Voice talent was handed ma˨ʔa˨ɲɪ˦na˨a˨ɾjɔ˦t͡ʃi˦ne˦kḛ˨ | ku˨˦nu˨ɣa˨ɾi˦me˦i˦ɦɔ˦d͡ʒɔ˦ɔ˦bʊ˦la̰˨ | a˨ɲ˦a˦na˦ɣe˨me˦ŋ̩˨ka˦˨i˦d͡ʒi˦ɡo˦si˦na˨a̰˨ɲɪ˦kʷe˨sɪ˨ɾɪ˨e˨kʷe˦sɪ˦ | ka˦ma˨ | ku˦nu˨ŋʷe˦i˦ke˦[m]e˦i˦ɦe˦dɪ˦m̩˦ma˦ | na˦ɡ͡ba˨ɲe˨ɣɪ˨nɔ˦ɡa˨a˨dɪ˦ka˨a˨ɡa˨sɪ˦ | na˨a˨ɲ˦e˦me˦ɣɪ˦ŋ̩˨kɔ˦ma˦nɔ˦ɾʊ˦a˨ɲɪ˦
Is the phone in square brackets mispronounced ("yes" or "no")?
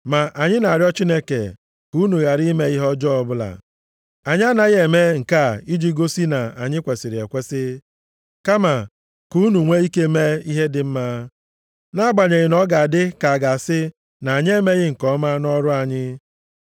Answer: no